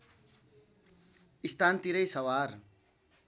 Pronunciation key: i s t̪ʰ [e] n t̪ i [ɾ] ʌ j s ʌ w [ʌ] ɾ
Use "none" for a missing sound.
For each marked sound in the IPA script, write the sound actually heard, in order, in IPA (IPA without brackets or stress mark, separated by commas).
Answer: a, ɾ, a